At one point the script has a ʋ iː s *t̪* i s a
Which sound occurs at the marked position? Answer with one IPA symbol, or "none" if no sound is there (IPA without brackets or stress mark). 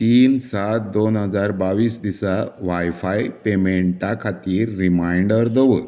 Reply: d̪